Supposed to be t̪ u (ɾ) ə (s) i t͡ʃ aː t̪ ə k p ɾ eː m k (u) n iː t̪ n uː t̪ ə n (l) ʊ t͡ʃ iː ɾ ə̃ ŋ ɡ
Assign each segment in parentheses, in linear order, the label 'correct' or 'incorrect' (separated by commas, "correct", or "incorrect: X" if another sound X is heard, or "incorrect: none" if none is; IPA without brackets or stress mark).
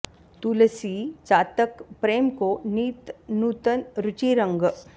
incorrect: l, correct, incorrect: o, incorrect: ɾ